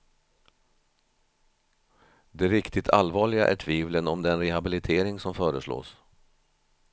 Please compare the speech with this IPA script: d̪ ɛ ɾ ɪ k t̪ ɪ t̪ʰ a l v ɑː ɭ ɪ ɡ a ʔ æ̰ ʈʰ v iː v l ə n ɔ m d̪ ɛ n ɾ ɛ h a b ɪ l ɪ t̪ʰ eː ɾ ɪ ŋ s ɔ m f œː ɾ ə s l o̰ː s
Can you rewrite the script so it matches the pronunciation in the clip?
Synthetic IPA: d̪ ɛ ɾ ɪ k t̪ ɪ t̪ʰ a l v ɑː ɭ ɪ ɡ a ʔ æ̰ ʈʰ v iː v l ə n ɔ m d̪ ɛ n ɾ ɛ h a b ɪ l ɪ t̪ʰ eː ɾ ɪ ŋ s ɔ m f œː ɾ ə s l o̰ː s